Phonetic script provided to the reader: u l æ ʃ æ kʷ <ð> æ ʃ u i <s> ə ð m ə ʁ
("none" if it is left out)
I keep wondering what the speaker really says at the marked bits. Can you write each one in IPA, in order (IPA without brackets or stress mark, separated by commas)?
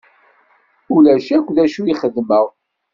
ð, χ